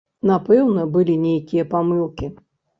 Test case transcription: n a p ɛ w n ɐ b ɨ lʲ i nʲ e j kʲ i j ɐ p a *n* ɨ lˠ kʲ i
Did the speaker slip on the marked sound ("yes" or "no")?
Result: yes